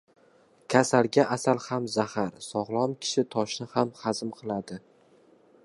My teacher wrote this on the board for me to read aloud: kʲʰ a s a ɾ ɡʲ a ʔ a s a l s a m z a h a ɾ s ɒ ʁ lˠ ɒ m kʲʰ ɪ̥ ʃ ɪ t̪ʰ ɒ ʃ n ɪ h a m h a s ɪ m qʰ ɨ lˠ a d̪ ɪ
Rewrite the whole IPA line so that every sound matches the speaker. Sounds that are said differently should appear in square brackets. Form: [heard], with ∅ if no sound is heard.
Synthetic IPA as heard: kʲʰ a s a [l] ɡʲ a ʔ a s a l [h] a m z a h a ɾ s ɒ ʁ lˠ ɒ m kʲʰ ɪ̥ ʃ ɪ t̪ʰ ɒ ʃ n ɪ h a m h a [z] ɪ m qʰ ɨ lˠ a d̪ ɪ

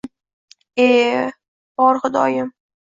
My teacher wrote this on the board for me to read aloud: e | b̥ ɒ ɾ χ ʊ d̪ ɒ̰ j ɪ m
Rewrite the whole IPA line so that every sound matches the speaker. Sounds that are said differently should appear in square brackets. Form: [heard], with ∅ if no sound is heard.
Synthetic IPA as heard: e | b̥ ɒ ɾ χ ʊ d̪ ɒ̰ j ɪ m

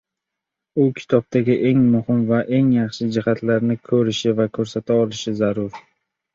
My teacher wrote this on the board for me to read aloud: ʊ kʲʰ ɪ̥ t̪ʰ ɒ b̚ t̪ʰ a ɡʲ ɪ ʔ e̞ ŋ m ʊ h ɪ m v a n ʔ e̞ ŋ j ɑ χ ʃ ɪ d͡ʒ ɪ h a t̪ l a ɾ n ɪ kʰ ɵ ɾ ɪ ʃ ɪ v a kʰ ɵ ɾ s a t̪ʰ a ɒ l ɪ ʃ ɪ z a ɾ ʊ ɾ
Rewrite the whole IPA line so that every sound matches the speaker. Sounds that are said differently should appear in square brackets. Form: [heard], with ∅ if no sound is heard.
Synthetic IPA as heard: ʊ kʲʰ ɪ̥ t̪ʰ ɒ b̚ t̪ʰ a ɡʲ ɪ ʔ e̞ ŋ m ʊ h ɪ m v a [∅] ʔ e̞ ŋ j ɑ χ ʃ ɪ d͡ʒ ɪ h a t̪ l a ɾ n ɪ kʰ ɵ ɾ ɪ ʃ ɪ v a kʰ ɵ ɾ s a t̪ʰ a ɒ l ɪ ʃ ɪ z a ɾ ʊ ɾ

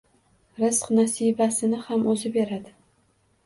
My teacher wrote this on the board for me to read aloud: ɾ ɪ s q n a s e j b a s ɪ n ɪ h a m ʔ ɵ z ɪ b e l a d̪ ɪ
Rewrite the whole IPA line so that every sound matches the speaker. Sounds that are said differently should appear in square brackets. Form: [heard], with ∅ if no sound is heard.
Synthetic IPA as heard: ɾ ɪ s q n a s [i] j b a s ɪ n ɪ h a m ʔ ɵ z ɪ b e [ɾ] a d̪ ɪ

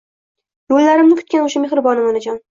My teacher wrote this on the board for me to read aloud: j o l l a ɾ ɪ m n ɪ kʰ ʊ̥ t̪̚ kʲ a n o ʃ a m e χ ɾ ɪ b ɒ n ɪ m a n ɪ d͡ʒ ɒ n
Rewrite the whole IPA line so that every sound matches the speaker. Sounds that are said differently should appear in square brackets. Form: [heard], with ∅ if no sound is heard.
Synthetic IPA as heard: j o l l a ɾ ɪ m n ɪ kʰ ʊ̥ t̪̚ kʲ a n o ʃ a m e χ ɾ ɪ b ɒ n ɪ m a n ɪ d͡ʒ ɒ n

